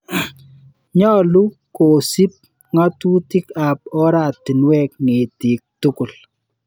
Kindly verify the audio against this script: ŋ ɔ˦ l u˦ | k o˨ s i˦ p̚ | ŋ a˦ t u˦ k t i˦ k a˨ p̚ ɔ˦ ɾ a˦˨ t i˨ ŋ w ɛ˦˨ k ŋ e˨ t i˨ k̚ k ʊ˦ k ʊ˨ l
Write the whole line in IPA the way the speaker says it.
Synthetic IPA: ɲ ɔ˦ l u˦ | k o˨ s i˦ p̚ | ŋ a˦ t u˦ t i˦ k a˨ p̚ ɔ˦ ɾ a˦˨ t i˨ n w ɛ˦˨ k ŋ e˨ t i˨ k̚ t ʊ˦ k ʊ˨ l